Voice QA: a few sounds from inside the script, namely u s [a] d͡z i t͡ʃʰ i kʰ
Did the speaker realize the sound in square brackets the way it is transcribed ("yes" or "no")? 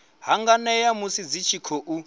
no